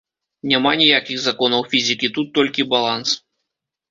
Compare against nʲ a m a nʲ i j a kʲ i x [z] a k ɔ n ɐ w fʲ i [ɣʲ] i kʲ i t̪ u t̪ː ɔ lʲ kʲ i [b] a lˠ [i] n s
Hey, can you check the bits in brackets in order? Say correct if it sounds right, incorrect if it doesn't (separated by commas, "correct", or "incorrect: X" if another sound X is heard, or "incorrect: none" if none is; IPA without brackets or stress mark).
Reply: correct, incorrect: zʲ, correct, incorrect: a